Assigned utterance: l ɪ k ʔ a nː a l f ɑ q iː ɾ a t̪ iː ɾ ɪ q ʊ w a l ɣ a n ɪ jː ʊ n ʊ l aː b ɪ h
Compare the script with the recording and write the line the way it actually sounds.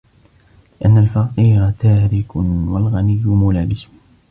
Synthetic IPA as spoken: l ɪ ʔ a nː a l f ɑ q iː ɾ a t̪ aː ɾ ɪ k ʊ w a l ɣ a n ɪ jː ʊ m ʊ l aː b ɪ s